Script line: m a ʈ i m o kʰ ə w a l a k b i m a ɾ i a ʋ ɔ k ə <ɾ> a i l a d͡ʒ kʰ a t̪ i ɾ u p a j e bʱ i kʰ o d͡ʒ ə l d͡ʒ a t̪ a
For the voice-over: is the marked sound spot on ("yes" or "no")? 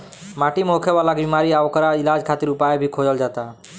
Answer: yes